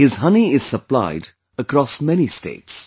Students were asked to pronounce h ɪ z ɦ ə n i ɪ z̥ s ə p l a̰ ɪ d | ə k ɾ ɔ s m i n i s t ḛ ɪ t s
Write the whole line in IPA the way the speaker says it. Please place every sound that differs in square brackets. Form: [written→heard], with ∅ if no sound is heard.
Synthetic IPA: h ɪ z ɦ [ə→ʌ] n i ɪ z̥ s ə p l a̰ ɪ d | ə k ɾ ɔ s m [i→ɛ] n i s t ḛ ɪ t s